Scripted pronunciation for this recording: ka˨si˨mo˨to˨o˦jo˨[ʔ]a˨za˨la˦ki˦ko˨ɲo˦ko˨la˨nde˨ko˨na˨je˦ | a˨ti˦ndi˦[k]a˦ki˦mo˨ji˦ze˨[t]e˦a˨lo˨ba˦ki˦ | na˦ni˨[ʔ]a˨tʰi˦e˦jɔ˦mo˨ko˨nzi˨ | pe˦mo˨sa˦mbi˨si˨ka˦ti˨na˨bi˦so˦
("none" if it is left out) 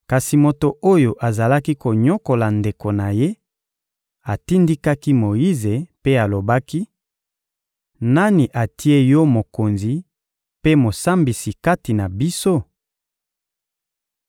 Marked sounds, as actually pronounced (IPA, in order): ʔ, k, p, ʔ

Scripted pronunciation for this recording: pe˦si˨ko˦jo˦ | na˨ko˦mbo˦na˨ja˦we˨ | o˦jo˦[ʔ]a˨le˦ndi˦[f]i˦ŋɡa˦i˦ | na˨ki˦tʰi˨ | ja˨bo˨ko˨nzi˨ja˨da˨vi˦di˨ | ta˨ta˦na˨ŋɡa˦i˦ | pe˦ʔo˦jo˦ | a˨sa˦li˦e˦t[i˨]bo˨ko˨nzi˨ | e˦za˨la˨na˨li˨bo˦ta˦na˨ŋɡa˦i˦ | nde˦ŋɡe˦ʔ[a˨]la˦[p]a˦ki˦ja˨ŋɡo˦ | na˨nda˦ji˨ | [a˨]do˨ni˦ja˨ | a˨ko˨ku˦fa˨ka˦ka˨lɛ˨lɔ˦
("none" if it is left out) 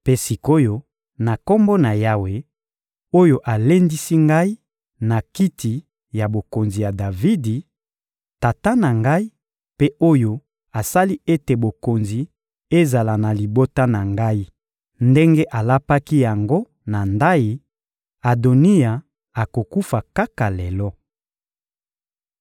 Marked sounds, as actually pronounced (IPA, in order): ʔ, s, e˨, a˨, p, a˨

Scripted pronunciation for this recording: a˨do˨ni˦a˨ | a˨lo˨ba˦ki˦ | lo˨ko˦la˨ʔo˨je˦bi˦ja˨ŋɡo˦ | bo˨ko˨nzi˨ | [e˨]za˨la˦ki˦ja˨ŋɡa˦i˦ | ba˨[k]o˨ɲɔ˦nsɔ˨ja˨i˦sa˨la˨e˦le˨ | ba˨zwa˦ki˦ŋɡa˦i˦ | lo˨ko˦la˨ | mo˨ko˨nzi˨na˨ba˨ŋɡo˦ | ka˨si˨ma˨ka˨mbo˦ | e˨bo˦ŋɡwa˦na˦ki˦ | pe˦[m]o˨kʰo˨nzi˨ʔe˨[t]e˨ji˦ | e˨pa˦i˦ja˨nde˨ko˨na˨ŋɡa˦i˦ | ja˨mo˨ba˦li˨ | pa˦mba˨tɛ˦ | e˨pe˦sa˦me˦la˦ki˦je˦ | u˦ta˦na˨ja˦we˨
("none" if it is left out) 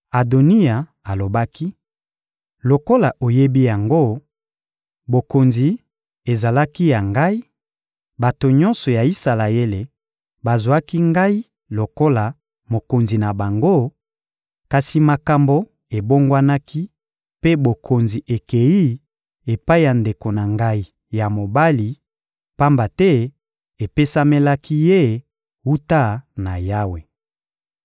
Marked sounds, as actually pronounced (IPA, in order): e˨, t, b, k

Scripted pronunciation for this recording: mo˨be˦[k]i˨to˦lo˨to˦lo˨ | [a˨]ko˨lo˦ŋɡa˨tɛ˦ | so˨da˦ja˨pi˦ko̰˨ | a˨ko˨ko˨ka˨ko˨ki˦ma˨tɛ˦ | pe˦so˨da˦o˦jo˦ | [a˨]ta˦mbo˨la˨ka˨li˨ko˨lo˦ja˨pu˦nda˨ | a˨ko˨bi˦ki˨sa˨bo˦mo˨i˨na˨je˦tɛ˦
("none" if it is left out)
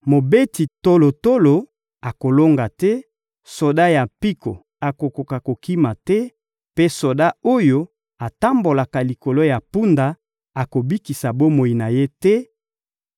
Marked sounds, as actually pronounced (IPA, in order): t, a˨, a˨

